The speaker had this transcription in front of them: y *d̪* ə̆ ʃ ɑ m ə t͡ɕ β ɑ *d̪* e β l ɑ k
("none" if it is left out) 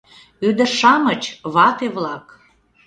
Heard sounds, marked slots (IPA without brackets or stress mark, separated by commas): d̪, t̪